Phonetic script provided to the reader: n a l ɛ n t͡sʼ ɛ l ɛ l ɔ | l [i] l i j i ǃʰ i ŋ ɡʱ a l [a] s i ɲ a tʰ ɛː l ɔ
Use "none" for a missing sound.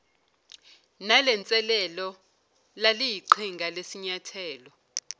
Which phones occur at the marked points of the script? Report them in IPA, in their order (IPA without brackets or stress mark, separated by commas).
a, e